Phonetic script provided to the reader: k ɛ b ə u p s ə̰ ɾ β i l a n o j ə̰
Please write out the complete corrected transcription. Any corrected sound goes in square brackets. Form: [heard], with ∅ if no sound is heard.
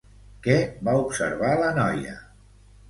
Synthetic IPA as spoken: k ɛ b [a] u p s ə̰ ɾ β [a] l [ə] n [ɔ] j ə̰

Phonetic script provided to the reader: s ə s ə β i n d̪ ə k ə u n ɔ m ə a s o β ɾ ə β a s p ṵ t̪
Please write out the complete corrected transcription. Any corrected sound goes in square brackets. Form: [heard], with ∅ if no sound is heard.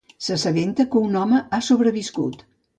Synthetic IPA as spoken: s ə s ə β [e] n [t̪] ə k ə u n ɔ m ə a s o β ɾ ə β [i] s [k] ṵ t̪

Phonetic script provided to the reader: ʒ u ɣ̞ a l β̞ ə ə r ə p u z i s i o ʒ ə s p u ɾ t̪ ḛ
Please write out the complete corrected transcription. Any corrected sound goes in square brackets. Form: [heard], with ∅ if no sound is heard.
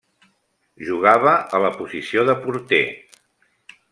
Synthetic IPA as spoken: ʒ u ɣ̞ a [∅] β̞ ə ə [l] ə p u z i s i o [ð] ə [∅] p u ɾ t̪ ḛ

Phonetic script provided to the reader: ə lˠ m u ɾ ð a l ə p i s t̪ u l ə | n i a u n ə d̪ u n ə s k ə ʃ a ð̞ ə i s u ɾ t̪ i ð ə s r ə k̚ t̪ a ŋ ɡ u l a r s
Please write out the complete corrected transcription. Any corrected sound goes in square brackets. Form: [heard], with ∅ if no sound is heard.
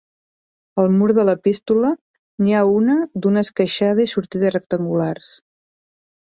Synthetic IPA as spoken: ə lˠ m u ɾ ð [ə] l ə p i s t̪ u l ə | n i a u n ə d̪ u n ə s k ə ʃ a ð̞ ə i s u ɾ t̪ i ð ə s r ə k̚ t̪ [ə] ŋ ɡ u l a r s

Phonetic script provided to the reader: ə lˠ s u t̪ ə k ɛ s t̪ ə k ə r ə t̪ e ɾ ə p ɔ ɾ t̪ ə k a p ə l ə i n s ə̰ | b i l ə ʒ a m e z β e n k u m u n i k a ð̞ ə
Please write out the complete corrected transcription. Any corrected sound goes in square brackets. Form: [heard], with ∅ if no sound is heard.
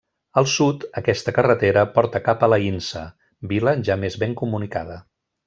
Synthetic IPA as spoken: ə lˠ s u t̪ ə k ɛ s t̪ ə k ə r ə t̪ e ɾ ə p ɔ ɾ t̪ ə k a p ə l ə i n s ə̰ | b i l ə ʒ a m e z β e [ŋ] k u m u n i k a ð̞ ə

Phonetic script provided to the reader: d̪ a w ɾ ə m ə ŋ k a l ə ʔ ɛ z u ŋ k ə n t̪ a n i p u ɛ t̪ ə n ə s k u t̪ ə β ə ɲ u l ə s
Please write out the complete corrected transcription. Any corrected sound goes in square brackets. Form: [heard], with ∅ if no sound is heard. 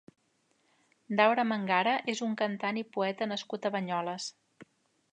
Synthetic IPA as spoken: d̪ a w ɾ ə m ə ŋ [ɡ] a [ɾ] ə ʔ [e] z u ŋ k ə n t̪ a n i p u ɛ t̪ ə n ə s k u t̪ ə β ə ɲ [ɔ] l ə s

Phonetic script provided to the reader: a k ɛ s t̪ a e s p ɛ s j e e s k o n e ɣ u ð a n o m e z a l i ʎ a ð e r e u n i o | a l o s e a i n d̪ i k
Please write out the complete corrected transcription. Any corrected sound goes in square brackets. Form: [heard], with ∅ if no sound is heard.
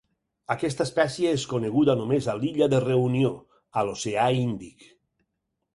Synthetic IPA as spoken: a k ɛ s t̪ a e s p ɛ s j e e s k o n e ɣ u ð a n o m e z a l i ʎ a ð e r e u n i o | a l o s e a i n d̪ i k

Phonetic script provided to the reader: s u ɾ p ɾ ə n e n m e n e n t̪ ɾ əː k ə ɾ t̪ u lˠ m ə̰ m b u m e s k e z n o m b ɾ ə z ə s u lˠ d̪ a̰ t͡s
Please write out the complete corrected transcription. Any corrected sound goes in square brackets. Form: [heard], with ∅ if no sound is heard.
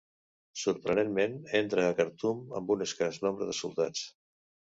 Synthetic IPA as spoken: s u ɾ p ɾ ə n e n m e n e n t̪ ɾ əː k ə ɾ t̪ u [∅] m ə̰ m b u [n] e s k [a] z n o m b ɾ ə [ð] ə s u lˠ [t̪] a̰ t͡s

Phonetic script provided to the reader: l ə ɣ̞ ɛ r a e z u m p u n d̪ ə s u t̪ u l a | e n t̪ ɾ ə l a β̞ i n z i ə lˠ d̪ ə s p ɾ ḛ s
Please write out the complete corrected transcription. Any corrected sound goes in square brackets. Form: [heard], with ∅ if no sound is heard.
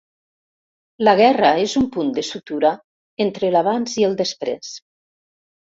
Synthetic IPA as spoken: l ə ɣ̞ ɛ r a e z u m p u n d̪ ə s u t̪ u [ɾ] a | e n t̪ ɾ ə l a β̞ [a] n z i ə lˠ d̪ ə s p ɾ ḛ s

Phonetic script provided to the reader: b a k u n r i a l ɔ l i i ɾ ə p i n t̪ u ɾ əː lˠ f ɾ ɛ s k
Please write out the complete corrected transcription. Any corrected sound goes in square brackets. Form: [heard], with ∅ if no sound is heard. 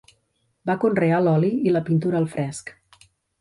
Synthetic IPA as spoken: b a k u n r [e] a l ɔ l i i [l] ə p i n t̪ u ɾ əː lˠ f ɾ ɛ s k

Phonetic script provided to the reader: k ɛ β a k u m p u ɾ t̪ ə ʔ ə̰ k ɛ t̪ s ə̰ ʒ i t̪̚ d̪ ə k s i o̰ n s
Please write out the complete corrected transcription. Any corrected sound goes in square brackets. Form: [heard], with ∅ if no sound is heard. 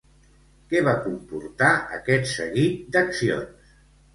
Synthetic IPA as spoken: k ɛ β a k u m p u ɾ t̪ [a] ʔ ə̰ k ɛ t̪ s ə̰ [ɣ] i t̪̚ d̪ ə k s i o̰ n s

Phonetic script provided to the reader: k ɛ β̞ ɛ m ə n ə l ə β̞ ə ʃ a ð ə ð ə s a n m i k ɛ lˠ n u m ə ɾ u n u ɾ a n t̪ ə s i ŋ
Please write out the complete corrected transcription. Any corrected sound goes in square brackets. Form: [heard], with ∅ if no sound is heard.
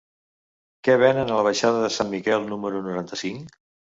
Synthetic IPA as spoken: k ɛ β̞ ɛ [n] ə n ə l ə β̞ ə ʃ a ð ə ð ə s a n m i k ɛ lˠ n u m ə ɾ u n u ɾ a n t̪ ə s i ŋ

